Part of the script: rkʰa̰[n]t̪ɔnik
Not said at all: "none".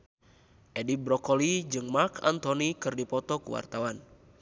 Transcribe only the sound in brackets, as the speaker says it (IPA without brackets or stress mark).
n